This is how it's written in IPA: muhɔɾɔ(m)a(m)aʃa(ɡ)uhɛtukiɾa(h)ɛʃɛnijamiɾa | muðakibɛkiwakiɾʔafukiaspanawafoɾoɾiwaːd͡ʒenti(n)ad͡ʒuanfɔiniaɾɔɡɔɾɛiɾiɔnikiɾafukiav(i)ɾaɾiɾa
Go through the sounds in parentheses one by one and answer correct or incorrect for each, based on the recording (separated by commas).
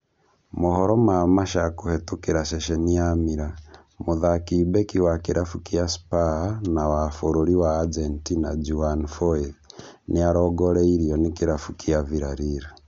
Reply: correct, correct, incorrect, incorrect, correct, correct